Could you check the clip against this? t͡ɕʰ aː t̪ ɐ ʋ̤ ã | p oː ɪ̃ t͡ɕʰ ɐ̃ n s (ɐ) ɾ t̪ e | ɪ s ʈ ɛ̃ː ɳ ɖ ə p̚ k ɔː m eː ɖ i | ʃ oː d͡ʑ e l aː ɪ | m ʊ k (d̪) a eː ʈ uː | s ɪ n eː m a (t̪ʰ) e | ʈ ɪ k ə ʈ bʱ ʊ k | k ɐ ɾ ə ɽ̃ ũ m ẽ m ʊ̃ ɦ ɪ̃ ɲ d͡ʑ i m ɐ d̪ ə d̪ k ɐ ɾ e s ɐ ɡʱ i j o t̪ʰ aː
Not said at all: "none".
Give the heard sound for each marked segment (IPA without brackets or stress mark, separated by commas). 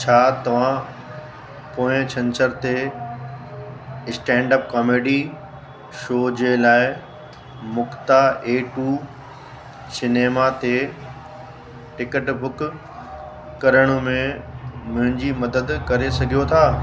ə, t̪, t̪